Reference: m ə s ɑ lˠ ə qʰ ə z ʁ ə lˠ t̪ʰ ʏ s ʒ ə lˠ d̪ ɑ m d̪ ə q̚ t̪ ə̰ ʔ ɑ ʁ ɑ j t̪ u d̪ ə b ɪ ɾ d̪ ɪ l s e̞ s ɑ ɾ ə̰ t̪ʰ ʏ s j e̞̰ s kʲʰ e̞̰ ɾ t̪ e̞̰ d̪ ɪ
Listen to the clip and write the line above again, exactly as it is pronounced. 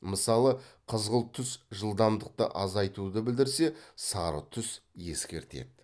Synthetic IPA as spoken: m ə s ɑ lˠ ə qʰ ə z ʁ ə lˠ t̪ʰ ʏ s ʒ ə lˠ d̪ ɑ m d̪ ə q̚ t̪ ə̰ ʔ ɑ z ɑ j t̪ u d̪ ə b ɪ l d̪ ɪ ɾ s e̞ s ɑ ɾ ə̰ t̪ʰ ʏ s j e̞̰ s kʲ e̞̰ ɾ t̪ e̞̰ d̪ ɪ